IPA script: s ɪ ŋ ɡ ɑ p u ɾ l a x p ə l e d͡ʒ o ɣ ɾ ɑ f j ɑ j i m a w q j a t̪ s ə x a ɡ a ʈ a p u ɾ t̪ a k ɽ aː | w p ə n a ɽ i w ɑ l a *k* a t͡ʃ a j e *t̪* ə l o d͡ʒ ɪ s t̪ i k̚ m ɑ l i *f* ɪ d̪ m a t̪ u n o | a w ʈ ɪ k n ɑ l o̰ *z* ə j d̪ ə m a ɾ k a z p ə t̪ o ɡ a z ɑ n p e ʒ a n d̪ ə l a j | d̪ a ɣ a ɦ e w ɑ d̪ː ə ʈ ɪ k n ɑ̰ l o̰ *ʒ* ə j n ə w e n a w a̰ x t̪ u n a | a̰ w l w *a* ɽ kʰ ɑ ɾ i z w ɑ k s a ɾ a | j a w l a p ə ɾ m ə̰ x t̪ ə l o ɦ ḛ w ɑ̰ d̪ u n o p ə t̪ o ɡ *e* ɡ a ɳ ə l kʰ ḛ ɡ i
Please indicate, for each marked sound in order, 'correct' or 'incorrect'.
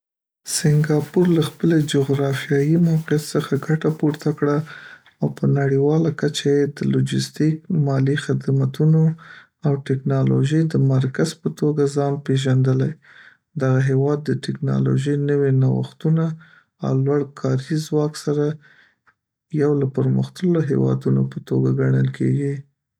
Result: correct, incorrect: d̪, incorrect: x, incorrect: ʒ, correct, correct, incorrect: a

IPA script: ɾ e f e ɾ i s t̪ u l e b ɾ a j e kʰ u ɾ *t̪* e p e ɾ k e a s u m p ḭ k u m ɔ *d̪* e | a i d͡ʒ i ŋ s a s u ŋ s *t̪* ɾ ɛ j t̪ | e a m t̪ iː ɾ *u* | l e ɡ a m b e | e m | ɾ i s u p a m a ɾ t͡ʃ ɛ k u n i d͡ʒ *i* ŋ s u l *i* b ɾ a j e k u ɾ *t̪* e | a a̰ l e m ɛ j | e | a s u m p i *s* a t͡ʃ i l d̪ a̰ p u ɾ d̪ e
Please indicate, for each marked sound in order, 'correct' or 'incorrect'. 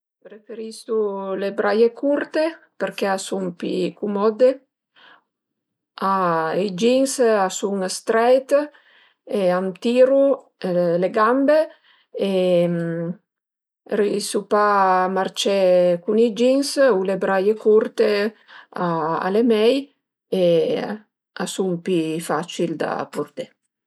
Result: correct, correct, correct, correct, correct, incorrect: e, correct, incorrect: f

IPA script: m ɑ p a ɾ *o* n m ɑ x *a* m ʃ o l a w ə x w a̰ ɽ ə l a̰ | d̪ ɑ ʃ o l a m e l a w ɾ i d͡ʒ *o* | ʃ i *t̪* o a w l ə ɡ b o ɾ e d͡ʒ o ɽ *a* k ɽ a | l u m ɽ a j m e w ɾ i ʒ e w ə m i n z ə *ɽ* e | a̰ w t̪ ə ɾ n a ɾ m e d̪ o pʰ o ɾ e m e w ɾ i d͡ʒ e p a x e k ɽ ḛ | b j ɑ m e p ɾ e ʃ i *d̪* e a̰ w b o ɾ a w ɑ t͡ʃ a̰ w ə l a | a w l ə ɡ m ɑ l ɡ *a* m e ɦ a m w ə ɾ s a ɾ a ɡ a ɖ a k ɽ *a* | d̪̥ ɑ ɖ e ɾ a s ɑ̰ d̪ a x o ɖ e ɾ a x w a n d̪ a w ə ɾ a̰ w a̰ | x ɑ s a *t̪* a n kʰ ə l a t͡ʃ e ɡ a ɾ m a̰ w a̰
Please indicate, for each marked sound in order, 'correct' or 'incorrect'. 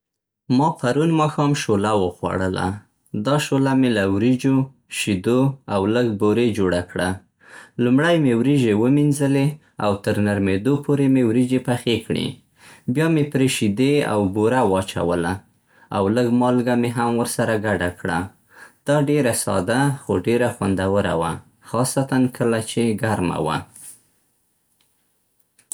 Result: incorrect: u, incorrect: ɑ, correct, incorrect: d̪, correct, incorrect: l, correct, correct, correct, correct

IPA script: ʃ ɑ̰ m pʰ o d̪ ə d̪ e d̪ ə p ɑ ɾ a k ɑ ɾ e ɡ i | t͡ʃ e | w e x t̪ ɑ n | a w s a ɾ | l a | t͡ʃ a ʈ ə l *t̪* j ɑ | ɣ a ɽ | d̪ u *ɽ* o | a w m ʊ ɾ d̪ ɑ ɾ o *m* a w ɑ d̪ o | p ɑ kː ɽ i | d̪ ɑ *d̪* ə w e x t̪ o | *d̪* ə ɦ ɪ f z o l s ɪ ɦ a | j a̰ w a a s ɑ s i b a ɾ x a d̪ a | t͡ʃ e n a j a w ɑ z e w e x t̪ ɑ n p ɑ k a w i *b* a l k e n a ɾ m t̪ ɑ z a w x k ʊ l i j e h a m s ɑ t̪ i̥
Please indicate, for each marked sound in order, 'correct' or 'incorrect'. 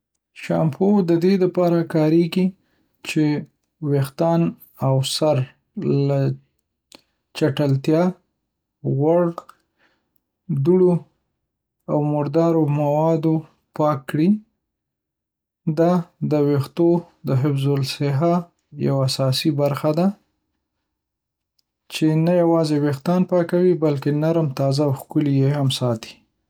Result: correct, correct, correct, correct, correct, correct

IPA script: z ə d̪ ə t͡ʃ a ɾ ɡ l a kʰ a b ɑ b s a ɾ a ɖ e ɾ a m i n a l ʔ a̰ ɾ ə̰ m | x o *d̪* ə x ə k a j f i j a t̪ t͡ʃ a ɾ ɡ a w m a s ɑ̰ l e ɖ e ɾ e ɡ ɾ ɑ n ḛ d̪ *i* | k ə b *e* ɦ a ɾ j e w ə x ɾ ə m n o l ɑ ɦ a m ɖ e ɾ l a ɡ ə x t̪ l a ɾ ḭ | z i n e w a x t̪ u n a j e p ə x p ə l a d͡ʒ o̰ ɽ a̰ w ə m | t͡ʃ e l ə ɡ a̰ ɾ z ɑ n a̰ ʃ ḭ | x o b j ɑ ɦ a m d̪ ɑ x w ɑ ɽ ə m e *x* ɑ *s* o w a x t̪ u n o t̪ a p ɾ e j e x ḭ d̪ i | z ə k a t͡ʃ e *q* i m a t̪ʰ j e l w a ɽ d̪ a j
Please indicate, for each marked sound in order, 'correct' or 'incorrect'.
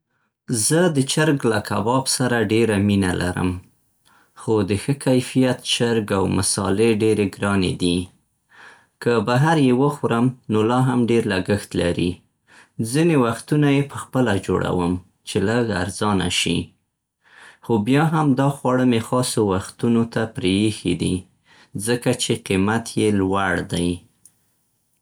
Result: correct, correct, incorrect: a, correct, correct, correct

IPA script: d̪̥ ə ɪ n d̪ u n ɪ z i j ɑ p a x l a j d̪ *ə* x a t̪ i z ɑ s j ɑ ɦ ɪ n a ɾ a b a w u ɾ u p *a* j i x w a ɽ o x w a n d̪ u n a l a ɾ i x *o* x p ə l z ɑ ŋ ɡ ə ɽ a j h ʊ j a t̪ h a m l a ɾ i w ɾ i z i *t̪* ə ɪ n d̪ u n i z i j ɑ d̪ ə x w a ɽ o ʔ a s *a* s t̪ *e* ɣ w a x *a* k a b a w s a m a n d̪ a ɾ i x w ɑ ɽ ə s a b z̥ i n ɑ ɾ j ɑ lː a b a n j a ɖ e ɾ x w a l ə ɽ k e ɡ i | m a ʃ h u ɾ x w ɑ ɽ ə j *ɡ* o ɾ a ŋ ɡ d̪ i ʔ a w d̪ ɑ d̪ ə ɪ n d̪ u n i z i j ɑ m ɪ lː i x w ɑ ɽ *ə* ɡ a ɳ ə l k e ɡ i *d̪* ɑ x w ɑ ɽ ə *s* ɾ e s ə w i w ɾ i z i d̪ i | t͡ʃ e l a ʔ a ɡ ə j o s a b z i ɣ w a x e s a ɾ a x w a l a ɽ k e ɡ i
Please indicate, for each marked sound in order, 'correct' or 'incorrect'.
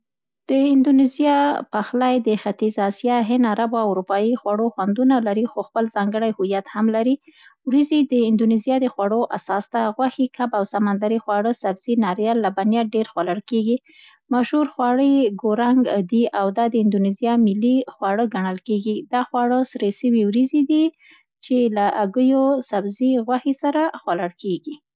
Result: correct, incorrect: ɑ, correct, incorrect: d̪, incorrect: ɑ, incorrect: a, incorrect: i, correct, correct, correct, correct

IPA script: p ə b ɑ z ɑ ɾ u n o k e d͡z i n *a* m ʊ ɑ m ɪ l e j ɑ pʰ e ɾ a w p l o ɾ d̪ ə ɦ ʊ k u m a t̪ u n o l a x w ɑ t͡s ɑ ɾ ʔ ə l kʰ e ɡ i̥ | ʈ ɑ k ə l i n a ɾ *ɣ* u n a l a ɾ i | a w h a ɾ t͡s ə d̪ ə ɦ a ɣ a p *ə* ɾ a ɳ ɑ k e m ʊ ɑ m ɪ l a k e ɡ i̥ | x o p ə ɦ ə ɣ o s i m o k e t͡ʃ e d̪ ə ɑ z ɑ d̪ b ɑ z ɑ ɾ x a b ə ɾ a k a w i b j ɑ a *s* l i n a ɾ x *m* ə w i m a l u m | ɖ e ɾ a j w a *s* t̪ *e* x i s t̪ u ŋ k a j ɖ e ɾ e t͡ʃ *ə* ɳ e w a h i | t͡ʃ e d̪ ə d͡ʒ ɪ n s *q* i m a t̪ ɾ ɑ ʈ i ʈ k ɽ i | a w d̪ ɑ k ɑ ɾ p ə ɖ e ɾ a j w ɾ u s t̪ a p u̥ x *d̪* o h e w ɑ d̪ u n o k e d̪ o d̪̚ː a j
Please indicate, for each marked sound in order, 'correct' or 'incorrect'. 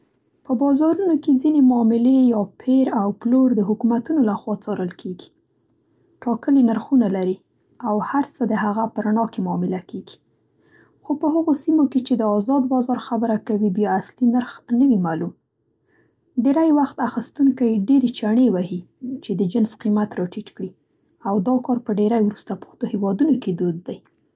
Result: incorrect: e, incorrect: x, correct, correct, incorrect: n, incorrect: x, incorrect: a, incorrect: a, correct, incorrect: t̪

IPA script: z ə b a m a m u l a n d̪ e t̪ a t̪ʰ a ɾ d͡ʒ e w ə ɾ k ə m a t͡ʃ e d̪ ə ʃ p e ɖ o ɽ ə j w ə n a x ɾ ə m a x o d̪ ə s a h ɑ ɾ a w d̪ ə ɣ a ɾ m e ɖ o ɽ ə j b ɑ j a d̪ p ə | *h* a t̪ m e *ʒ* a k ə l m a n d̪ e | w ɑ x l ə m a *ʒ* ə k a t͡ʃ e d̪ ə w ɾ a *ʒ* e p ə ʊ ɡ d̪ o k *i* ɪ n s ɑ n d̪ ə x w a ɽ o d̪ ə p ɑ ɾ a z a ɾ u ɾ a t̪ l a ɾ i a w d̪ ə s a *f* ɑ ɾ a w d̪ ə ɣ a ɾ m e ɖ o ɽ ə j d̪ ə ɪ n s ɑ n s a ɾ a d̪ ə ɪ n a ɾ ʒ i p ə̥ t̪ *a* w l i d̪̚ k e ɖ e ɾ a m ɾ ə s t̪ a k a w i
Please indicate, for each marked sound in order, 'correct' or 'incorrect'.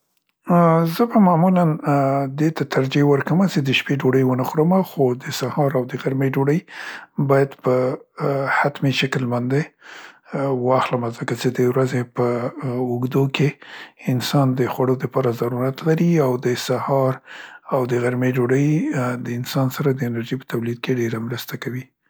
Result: correct, incorrect: ʃ, incorrect: z, incorrect: z, incorrect: e, incorrect: h, correct

